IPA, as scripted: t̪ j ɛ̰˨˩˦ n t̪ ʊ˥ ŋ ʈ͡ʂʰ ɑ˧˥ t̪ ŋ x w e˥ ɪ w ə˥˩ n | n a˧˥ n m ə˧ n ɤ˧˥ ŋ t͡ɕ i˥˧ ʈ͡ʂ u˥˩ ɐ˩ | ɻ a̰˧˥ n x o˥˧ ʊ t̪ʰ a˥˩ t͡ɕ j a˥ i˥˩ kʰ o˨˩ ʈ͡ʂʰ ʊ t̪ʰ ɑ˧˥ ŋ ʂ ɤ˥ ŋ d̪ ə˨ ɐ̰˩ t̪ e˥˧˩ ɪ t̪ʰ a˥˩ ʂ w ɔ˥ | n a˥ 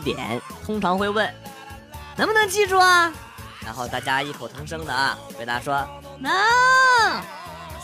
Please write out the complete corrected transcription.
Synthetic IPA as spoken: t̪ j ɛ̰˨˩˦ n t̪ʰ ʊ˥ ŋ ʈ͡ʂʰ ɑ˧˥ ŋ x w e˥˧ ɪ w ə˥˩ n | n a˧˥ n m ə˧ n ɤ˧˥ ŋ t͡ɕ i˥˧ ʈ͡ʂ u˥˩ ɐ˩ | ɻ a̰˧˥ n x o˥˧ ʊ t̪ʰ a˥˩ t͡ɕ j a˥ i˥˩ kʰ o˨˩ ʊ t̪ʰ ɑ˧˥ ŋ ʂ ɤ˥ ŋ d̪ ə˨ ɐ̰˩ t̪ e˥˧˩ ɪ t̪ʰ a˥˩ ʂ w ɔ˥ | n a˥